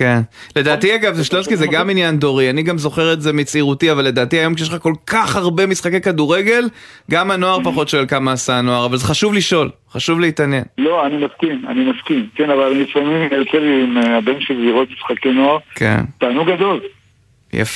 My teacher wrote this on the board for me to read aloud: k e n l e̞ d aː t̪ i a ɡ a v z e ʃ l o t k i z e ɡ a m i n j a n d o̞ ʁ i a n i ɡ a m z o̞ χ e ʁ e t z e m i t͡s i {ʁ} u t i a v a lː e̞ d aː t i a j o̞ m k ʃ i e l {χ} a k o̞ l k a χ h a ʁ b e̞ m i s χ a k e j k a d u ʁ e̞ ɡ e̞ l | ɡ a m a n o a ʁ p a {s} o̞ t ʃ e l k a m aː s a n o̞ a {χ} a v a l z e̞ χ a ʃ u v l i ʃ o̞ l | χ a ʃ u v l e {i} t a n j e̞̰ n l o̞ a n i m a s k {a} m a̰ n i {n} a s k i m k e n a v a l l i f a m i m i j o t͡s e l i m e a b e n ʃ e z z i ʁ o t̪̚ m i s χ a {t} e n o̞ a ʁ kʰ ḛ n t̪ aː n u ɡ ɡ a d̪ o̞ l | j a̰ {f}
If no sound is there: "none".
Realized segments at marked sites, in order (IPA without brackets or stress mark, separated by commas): ʁ, χ, χ, ʁ, i, i, m, k, f